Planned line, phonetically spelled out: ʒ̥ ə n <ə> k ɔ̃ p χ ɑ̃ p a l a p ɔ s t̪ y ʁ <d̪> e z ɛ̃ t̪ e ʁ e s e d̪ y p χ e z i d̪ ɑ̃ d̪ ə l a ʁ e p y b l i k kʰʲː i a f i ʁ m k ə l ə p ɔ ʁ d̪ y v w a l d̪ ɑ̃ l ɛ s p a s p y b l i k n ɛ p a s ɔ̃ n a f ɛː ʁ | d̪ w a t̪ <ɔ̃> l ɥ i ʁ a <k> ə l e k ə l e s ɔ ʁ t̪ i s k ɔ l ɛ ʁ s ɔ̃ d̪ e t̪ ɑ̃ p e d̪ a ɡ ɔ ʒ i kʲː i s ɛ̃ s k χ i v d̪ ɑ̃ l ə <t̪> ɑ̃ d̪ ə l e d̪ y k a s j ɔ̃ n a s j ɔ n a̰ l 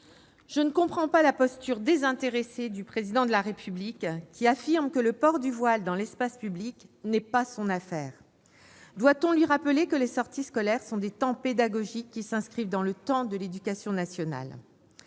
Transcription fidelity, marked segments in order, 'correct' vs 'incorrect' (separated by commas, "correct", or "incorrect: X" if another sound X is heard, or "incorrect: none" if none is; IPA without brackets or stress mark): correct, correct, correct, incorrect: p, correct